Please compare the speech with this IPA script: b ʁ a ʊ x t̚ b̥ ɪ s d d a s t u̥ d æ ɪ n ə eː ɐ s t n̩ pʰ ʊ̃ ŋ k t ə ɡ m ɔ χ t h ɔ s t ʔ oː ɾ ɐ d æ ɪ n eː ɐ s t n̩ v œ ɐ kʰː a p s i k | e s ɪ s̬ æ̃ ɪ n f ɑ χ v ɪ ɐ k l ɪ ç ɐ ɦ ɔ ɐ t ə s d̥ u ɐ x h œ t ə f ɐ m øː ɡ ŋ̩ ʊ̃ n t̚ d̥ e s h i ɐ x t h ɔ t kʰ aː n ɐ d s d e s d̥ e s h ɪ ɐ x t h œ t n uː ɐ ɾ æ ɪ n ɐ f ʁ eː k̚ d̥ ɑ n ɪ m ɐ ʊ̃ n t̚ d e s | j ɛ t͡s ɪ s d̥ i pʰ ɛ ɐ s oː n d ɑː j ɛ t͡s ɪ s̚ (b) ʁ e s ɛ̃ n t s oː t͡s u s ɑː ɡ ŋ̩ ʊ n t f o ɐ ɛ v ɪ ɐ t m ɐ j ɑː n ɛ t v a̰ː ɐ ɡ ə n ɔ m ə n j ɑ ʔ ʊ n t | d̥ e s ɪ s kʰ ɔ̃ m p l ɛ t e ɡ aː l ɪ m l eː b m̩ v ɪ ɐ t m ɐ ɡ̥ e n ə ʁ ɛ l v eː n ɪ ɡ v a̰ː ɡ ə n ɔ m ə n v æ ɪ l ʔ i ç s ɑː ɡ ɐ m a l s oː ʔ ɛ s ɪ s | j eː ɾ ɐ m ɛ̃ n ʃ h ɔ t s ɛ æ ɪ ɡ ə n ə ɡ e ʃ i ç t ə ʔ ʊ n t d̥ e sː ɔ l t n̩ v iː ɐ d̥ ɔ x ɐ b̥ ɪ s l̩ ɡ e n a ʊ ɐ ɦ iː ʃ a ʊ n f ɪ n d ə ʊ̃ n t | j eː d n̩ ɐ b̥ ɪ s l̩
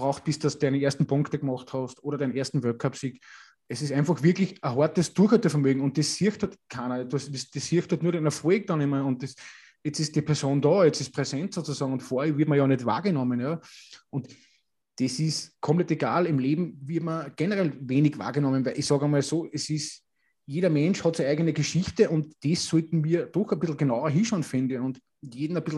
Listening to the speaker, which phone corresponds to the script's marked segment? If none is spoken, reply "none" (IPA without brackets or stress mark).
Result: p